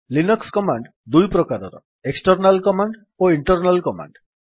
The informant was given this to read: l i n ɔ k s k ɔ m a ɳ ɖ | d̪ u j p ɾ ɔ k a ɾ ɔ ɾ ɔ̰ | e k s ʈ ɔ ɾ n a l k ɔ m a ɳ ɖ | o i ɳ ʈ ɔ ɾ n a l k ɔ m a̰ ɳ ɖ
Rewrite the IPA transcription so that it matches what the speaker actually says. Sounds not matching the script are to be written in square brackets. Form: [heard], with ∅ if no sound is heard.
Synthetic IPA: l i n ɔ k s k ɔ m a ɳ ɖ | d̪ u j p ɾ ɔ k a ɾ ɔ ɾ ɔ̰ | e k s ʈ ɔ ɾ n a l k ɔ m a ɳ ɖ | o i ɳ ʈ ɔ ɾ n a l k ɔ m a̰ ɳ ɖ